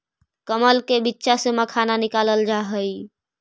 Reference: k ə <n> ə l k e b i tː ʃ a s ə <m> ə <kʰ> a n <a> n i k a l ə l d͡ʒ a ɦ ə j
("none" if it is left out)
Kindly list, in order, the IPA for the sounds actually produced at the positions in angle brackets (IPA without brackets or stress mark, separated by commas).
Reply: m, m, kʰ, a